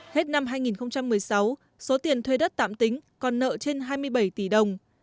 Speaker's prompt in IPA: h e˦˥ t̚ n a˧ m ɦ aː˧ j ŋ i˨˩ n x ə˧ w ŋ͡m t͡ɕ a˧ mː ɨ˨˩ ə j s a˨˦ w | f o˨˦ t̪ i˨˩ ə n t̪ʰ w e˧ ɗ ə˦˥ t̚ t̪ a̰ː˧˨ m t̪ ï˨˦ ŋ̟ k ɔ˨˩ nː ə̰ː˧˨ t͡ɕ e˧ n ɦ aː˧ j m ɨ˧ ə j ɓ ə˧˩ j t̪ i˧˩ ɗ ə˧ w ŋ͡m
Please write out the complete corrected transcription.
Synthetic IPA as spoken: h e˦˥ t̚ n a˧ m ɦ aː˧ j ŋ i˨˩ n x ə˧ w ŋ͡m t͡ɕ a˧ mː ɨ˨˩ ə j s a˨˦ w | s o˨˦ t̪ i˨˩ ə n t̪ʰ w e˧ ɗ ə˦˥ t̚ t̪ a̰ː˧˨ m t̪ ï˨˦ ŋ̟ k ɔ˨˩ nː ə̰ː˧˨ t͡ɕ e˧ n ɦ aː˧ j m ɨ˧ ə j ɓ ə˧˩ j t̪ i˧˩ ɗ ə˨˩ w ŋ͡m

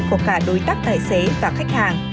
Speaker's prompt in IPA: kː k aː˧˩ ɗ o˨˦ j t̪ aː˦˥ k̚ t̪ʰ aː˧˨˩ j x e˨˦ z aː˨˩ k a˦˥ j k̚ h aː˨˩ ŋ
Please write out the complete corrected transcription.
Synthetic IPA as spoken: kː k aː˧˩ ɗ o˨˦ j t̪ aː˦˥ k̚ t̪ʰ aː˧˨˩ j s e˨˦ v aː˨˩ x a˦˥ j k̚ h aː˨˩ ŋ

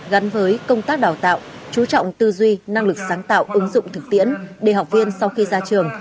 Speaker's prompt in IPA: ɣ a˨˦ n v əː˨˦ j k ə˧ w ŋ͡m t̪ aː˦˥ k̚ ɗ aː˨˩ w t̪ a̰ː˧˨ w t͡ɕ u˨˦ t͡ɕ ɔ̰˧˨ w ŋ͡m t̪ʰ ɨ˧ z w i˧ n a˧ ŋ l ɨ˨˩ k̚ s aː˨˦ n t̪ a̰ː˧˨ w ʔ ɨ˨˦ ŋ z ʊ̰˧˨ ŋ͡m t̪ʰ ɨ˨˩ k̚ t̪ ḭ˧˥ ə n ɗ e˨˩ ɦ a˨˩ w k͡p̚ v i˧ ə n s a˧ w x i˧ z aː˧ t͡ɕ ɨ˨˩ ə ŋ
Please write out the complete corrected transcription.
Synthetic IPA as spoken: ɣ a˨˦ n v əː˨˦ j k ə˧ w ŋ͡m t̪ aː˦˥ k̚ ɗ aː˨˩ w t̪ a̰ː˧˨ w t͡ɕ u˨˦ t͡ɕ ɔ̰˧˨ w ŋ͡m t̪ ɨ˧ z w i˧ n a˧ ŋ l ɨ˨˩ k̚ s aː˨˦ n t̪ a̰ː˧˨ w ʔ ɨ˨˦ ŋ z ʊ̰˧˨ ŋ͡m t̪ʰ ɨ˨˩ k̚ t̪ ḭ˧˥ ə n ɗ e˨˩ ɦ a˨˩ w k͡p̚ v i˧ ə n s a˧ w x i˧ z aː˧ t͡ɕ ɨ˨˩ ə ŋ

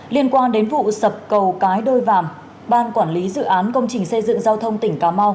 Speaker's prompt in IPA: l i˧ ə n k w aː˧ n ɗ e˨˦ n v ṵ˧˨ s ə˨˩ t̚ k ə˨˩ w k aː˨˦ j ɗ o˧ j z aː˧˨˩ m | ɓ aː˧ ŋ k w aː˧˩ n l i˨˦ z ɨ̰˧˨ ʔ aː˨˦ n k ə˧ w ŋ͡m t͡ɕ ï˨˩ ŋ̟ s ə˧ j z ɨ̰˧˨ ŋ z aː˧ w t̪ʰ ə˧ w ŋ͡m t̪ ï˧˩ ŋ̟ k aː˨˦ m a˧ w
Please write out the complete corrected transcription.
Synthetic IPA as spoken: l i˧ ə n k w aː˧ n ɗ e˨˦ n v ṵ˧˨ s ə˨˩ p̚ k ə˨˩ w k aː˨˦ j ɗ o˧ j v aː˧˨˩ m | ɓ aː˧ n k w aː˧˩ n l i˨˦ z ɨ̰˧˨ ʔ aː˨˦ n k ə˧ w ŋ͡m t͡ɕ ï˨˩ ŋ̟ s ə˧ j z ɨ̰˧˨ ŋ z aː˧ w t̪ʰ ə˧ w ŋ͡m t̪ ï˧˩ ŋ̟ k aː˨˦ m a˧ w

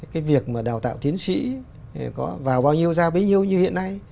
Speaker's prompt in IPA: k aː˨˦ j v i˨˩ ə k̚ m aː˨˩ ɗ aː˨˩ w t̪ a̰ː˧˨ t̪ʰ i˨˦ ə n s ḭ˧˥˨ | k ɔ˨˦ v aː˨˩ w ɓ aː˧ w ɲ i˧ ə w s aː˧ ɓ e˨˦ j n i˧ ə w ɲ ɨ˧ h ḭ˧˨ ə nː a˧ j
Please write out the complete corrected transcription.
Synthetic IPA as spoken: k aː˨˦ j v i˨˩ ə k̚ m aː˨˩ ɗ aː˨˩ w t̪ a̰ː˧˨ t̪ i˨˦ ə n s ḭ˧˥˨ | k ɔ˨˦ v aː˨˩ w ɓ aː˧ w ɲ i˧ ə w z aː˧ ɓ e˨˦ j ɲ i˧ ə w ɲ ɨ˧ h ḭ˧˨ ə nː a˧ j

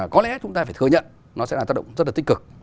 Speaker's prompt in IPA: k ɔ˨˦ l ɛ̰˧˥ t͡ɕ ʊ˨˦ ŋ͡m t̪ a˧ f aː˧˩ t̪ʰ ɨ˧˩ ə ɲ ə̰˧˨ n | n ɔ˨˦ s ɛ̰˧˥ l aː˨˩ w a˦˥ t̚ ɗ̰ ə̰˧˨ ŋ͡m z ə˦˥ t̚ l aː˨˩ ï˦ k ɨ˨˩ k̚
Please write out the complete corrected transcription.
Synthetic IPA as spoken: k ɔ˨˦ l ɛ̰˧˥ t͡ɕ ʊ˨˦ ŋ͡m t̪ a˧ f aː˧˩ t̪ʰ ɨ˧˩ ə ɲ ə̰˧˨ n | n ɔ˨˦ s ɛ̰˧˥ l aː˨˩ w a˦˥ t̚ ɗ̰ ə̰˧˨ ŋ͡m z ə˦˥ t̚ l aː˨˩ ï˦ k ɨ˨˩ k̚

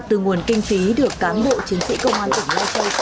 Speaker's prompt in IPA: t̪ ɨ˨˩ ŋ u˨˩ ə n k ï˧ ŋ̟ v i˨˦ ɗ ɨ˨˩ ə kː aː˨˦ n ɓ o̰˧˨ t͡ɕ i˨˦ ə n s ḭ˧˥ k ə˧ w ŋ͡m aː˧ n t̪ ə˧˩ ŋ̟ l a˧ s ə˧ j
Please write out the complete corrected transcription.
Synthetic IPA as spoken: t̪ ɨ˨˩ ŋ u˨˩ ə n k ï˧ ŋ̟ f i˨˦ ɗ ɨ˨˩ ə kː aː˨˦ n ɓ o̰˧˨ t͡ɕ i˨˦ ə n s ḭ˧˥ k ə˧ w ŋ͡m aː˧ n t̪ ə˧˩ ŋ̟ l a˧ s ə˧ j

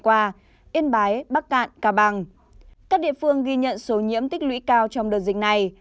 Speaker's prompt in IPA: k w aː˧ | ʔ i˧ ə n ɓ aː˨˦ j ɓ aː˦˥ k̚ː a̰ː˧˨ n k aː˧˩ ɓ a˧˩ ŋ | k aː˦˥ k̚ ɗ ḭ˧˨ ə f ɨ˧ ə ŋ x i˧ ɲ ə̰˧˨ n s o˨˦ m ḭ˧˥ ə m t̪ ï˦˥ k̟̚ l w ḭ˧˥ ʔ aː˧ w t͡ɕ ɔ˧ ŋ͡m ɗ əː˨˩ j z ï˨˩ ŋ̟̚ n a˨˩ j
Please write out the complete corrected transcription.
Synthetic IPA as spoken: k w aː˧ | ʔ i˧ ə n ɓ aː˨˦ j ɓ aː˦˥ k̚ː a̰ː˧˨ n k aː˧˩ ɓ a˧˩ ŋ | k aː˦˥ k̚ ɗ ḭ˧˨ ə f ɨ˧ ə ŋ ɣ i˧ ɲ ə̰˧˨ n s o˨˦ ɲ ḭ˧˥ ə m t̪ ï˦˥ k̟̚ l w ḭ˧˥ k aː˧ w t͡ɕ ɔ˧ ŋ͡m ɗ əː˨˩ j z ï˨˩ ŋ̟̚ n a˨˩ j

